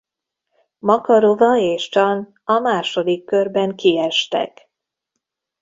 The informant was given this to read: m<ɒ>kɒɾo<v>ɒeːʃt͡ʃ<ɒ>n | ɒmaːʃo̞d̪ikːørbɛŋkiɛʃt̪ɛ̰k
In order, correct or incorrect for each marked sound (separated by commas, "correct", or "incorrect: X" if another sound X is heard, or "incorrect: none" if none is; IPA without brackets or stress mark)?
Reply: correct, correct, correct